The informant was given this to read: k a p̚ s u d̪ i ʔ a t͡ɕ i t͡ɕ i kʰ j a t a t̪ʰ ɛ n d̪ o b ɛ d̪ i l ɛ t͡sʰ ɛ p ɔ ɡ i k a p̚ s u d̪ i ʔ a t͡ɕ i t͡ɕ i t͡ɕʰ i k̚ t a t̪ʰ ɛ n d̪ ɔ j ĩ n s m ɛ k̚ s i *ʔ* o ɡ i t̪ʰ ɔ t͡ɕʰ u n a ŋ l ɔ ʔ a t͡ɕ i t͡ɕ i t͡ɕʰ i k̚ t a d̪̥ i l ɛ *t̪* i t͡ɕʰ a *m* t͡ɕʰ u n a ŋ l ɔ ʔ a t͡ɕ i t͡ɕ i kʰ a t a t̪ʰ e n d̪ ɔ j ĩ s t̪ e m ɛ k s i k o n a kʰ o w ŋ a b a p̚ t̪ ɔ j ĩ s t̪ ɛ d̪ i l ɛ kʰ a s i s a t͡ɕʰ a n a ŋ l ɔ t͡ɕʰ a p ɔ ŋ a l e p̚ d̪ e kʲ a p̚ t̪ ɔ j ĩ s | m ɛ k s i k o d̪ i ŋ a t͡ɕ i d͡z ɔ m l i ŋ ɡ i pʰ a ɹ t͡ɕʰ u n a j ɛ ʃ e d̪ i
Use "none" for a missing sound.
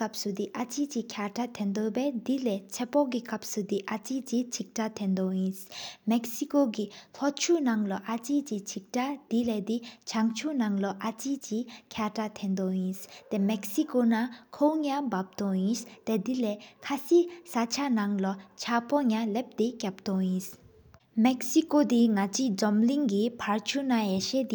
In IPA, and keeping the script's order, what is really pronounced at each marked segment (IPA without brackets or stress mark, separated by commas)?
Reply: k, d̪, ŋ